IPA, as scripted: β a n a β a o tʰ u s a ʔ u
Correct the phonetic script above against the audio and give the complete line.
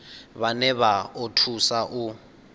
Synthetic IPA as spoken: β a n ɛ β a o tʰ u s a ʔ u